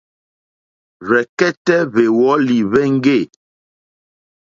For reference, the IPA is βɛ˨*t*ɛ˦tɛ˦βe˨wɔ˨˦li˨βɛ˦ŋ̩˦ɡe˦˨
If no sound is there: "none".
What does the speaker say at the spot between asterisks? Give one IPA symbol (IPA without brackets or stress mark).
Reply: k